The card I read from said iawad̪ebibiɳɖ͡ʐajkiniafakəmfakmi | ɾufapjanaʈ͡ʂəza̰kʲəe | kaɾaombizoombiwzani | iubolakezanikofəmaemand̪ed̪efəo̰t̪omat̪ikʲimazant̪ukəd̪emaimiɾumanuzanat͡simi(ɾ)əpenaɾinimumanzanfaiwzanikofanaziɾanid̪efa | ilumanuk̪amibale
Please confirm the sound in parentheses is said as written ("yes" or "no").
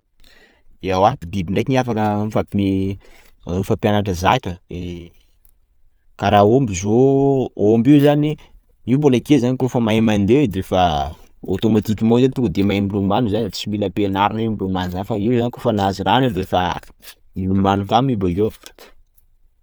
no